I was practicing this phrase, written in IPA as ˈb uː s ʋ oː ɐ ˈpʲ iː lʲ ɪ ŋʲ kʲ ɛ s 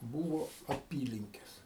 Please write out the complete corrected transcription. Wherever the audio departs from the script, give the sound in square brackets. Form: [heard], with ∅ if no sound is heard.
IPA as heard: ˈb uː [∅] ʋ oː ɐ ˈpʲ iː lʲ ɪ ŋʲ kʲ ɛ s